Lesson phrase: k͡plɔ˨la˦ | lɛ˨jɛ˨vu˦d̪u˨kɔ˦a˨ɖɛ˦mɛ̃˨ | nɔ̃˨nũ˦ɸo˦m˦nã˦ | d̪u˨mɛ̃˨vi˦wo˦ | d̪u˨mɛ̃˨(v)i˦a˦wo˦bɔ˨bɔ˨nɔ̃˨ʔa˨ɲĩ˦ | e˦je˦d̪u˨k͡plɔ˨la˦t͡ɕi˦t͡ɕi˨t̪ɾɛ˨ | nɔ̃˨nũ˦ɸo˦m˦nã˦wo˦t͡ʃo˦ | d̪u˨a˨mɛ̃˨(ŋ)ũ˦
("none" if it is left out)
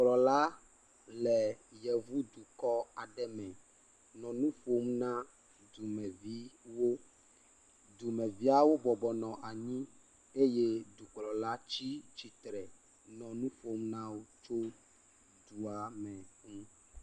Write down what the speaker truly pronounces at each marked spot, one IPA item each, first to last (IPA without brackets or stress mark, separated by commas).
v, ŋ